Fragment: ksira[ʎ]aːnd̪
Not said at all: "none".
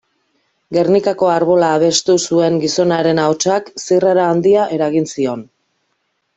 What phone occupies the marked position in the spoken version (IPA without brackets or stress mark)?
ɾ